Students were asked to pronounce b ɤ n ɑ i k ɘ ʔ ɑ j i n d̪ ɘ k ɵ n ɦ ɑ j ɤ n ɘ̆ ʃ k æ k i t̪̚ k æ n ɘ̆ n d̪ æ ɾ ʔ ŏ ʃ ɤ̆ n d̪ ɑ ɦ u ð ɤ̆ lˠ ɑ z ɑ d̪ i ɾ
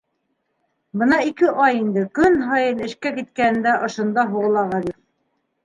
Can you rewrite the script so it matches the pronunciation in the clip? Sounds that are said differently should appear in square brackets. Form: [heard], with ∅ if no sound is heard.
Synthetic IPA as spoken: b ɤ n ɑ i k ɘ ʔ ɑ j i n d̪ ɘ k ɵ n ɦ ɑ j ɤ n ɘ̆ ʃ k æ k i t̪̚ k æ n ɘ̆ n d̪ æ [∅] ʔ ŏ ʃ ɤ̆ n d̪ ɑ ɦ u [ʁ] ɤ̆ lˠ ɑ [ʁ] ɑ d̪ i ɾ

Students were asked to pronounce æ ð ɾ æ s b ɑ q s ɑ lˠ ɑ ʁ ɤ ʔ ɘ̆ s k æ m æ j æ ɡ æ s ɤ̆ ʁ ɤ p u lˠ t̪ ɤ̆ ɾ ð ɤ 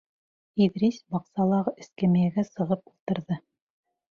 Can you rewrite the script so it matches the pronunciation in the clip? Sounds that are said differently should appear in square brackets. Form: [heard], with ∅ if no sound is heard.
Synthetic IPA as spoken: [i] ð ɾ [i] s b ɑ q s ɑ lˠ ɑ ʁ ɤ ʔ ɘ̆ s k æ m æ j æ ɡ æ s ɤ̆ ʁ ɤ p u lˠ t̪ ɤ̆ ɾ ð ɤ

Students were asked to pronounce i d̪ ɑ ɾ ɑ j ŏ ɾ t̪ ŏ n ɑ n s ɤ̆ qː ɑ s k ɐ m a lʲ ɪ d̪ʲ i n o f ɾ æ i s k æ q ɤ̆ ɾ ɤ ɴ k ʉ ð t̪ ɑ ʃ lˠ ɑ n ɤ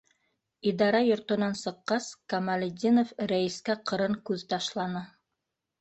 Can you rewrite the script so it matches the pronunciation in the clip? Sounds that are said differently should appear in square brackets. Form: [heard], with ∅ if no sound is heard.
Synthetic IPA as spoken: i d̪ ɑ ɾ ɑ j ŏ ɾ t̪ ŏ n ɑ n s ɤ̆ qː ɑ s k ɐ m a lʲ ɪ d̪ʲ i n o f ɾ æ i s k æ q ɤ̆ ɾ ɤ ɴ k ʉ ð t̪ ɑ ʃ lˠ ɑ n ɤ

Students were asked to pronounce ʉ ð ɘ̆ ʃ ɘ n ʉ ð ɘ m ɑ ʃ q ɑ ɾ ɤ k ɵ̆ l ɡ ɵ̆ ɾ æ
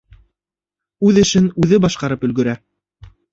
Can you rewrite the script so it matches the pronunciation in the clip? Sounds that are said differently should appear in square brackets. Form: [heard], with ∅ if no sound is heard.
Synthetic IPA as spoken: ʉ ð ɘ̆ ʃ ɘ n ʉ ð ɘ [b] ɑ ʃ q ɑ ɾ ɤ [p] ɵ̆ l ɡ ɵ̆ ɾ æ

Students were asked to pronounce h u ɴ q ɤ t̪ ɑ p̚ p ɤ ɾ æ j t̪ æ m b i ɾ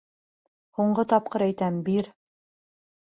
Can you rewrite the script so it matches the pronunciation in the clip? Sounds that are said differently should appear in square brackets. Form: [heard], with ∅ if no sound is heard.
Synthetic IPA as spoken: h u ɴ [ɢ] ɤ t̪ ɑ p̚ [q] ɤ ɾ æ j t̪ æ m b i ɾ

